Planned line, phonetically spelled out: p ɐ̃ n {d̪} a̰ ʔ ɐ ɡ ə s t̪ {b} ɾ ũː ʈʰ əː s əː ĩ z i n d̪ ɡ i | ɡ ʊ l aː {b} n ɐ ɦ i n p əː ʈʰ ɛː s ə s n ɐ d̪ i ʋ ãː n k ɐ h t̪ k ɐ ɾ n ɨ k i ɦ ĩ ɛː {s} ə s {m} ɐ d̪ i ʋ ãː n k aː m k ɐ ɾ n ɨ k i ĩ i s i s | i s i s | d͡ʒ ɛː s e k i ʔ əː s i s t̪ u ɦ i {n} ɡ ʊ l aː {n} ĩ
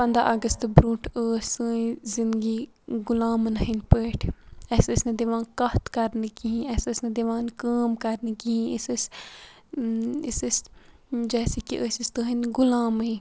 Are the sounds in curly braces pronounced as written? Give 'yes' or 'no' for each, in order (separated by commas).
yes, yes, no, yes, no, yes, no